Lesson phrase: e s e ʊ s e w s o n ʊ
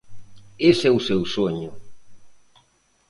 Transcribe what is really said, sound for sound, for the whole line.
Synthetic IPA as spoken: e s ɛ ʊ s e w s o ɲ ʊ